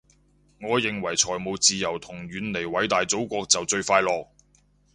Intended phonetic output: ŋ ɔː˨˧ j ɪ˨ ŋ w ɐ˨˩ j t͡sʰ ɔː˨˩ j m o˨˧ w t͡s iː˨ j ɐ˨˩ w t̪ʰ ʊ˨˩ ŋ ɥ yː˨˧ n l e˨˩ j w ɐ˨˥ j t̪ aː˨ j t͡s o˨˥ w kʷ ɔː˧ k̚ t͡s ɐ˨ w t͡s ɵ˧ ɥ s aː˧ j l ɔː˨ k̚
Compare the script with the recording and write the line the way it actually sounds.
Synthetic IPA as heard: ŋ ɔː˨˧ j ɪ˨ ŋ w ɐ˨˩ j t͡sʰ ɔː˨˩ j m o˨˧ w t͡s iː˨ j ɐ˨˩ w t̪ʰ ʊ˨˩ ŋ ɥ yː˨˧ n l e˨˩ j w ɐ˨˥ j t̪ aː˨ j t͡s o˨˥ w kʷ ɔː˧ k̚ t͡s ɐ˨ w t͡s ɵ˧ ɥ f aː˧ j l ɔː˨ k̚